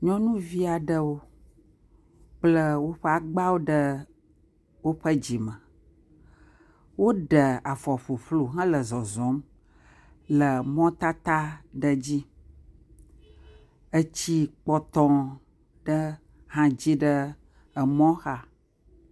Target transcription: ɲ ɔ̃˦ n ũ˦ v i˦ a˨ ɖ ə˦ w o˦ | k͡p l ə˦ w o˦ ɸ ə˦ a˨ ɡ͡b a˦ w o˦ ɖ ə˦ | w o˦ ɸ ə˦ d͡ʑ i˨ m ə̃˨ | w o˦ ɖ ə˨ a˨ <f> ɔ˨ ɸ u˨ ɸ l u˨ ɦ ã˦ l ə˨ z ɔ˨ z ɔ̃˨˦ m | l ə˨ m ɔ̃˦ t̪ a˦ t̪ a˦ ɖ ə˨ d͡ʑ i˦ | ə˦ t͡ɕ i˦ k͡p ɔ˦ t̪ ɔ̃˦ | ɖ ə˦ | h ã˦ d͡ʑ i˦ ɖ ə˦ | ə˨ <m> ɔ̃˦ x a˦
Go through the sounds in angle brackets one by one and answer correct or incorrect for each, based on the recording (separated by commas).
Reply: correct, correct